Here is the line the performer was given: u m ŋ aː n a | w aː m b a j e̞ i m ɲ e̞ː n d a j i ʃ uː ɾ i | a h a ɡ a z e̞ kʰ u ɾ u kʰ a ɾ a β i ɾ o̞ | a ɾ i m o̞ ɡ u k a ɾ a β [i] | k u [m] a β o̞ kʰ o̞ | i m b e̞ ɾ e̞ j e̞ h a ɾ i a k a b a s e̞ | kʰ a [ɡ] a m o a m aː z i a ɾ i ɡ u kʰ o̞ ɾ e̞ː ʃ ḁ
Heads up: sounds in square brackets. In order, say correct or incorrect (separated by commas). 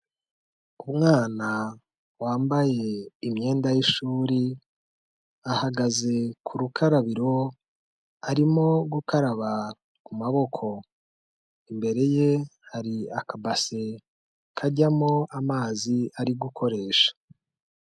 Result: incorrect, correct, incorrect